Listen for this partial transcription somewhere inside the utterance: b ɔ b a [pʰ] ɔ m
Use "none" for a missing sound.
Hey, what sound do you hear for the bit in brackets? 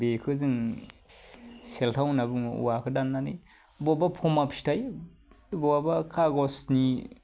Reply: pʰ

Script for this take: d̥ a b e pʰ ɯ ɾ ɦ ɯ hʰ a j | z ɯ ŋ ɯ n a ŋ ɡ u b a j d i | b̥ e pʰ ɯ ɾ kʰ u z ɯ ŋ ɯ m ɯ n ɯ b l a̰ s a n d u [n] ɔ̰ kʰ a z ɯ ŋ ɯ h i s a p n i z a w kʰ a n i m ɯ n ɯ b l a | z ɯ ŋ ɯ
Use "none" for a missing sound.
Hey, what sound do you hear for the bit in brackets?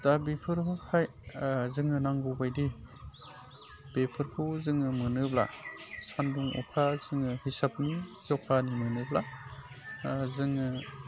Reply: ŋ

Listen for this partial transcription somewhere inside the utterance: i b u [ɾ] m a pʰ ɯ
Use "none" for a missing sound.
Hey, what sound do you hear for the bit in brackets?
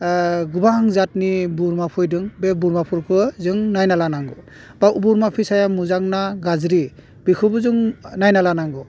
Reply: ɾ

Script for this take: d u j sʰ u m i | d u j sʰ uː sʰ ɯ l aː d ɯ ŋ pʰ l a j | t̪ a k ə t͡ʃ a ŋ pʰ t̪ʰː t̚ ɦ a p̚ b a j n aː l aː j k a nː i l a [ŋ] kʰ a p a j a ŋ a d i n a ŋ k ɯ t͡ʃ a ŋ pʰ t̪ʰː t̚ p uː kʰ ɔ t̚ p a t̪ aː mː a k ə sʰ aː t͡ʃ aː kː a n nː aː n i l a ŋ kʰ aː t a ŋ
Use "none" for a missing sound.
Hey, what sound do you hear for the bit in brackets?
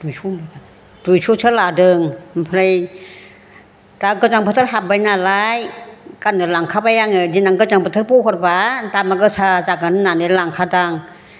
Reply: ŋ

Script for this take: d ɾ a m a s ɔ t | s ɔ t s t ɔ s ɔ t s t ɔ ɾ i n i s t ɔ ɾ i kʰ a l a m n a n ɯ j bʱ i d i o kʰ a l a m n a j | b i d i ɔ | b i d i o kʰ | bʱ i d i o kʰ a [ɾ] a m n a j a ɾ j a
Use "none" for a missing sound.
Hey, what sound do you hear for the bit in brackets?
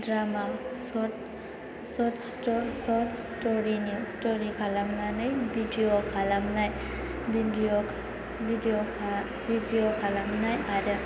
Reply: l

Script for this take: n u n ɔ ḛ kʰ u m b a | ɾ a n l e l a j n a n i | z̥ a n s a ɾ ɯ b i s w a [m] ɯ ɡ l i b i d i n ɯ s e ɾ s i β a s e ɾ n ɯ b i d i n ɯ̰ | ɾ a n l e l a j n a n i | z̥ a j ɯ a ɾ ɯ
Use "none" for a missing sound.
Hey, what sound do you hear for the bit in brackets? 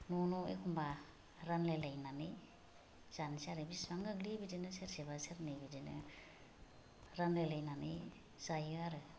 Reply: ŋ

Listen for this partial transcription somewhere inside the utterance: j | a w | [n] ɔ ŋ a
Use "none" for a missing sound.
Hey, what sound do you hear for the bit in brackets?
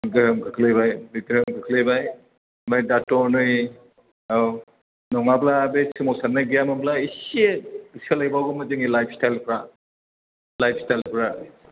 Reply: n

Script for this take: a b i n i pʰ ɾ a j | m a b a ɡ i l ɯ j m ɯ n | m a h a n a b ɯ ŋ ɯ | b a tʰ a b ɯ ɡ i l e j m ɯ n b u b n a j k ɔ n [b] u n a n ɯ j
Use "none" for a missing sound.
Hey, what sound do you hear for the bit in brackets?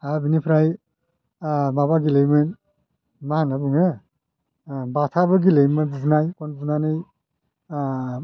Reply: b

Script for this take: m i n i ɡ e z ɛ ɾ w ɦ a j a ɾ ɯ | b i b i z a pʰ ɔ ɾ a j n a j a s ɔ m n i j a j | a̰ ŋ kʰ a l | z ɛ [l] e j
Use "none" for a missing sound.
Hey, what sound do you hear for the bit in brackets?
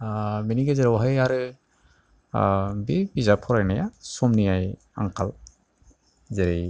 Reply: ɾ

